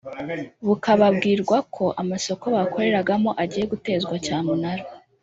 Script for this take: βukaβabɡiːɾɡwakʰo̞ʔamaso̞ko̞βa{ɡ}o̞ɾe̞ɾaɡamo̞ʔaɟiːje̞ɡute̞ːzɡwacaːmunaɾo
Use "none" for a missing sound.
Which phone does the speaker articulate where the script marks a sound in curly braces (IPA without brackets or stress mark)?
k